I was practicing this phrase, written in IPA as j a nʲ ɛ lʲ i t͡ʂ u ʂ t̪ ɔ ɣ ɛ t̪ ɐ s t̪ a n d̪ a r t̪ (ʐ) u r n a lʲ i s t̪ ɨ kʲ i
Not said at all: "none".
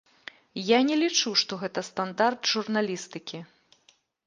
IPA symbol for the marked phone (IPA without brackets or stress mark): ʐ